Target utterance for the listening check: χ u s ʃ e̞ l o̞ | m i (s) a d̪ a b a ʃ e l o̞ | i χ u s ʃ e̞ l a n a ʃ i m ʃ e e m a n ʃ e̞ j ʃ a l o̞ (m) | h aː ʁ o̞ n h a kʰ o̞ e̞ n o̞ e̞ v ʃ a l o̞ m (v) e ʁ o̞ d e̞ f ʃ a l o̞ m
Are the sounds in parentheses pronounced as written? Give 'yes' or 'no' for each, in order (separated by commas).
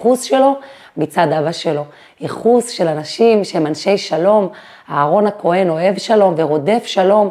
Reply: no, yes, yes